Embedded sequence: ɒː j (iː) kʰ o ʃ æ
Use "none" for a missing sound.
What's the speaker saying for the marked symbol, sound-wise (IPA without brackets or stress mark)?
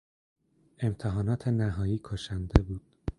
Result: iː